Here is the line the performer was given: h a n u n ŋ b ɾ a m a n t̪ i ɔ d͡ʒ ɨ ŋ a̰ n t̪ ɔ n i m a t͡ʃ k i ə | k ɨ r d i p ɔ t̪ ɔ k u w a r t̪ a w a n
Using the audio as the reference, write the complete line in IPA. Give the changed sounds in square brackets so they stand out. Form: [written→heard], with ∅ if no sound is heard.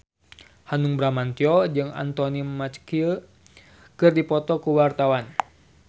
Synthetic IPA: h a n u [n→∅] ŋ b ɾ a m a n t̪ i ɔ d͡ʒ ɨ ŋ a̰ n t̪ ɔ n i m a t͡ʃ k i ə | k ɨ r d i p ɔ t̪ ɔ k u w a r t̪ a w a n

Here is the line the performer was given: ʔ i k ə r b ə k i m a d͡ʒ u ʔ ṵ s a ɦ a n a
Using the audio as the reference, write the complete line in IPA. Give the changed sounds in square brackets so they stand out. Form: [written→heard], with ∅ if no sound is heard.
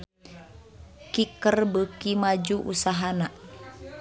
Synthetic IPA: [ʔ→k] i k ə r b ə k i m a d͡ʒ u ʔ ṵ s a ɦ a n a

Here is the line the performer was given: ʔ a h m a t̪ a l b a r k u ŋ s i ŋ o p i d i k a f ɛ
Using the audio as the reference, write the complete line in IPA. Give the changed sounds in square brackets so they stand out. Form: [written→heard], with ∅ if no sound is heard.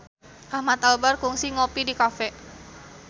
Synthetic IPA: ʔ a h m a t̪ a l b a r k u ŋ s i ŋ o p i d i k a f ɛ

